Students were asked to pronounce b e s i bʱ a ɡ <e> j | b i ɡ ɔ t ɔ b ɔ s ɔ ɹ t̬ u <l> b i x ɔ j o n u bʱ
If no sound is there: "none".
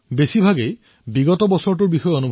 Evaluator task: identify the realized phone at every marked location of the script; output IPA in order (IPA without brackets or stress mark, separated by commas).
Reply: e, ɹ